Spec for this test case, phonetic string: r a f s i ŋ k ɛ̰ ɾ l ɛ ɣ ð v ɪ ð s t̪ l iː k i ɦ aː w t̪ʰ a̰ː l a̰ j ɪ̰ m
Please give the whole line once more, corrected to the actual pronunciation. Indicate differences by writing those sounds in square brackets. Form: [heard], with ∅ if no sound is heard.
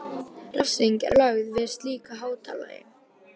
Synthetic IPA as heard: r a f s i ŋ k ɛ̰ ɾ l [œ] ɣ ð v ɪ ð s t̪ l iː k [a] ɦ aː w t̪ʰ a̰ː l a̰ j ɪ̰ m